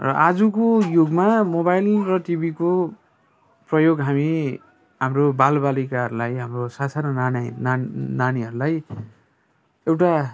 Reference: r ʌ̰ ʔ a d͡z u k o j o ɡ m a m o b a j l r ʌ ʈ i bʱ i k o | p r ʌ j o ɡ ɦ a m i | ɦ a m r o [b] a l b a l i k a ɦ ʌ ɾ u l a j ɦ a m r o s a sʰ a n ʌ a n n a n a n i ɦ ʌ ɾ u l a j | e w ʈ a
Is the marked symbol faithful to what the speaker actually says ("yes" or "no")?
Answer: yes